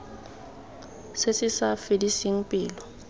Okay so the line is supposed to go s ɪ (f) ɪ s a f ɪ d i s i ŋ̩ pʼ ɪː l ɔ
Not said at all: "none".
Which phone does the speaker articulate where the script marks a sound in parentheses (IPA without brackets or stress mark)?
s